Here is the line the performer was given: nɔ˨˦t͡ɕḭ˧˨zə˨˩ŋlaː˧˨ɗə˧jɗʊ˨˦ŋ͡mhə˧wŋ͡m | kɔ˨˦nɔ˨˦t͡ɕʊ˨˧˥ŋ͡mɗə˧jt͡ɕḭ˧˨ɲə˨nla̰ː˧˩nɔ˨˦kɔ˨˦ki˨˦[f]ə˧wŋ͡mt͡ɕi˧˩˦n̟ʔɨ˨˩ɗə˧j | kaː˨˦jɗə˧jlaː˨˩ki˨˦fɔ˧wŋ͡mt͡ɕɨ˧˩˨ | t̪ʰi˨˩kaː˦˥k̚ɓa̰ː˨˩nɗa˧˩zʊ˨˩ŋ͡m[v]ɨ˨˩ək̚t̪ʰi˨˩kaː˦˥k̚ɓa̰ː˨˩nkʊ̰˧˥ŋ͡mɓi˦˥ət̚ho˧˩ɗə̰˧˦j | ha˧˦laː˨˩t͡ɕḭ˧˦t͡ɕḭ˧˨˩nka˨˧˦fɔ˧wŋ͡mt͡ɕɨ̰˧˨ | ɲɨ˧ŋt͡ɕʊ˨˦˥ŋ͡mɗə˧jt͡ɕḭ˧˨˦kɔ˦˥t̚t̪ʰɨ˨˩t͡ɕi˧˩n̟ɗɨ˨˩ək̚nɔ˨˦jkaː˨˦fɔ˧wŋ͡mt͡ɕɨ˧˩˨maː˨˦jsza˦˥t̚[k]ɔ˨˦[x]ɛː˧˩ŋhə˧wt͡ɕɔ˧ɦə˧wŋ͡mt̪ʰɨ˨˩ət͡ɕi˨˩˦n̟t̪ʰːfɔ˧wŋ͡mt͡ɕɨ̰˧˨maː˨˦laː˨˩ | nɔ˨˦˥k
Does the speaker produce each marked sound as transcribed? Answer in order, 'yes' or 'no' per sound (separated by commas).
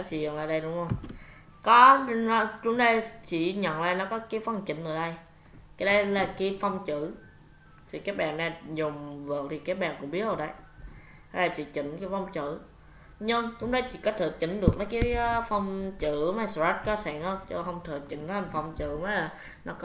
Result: yes, yes, yes, no